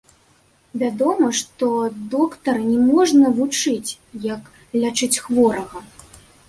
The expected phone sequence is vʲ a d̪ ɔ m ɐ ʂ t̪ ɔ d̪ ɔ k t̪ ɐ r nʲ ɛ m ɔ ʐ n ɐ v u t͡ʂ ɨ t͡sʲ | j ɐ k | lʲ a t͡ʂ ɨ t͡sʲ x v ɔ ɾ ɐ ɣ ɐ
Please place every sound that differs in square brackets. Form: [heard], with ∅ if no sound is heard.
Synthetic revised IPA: vʲ a d̪ ɔ m ɐ ʂ t̪ ɔ d̪ ɔ k t̪ ɐ r nʲ ɛ m ɔ ʐ n ɐ v u t͡ʂ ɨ t͡sʲ | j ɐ k | lʲ a t͡ʂ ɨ t͡sʲ x v ɔ ɾ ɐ ɣ ɐ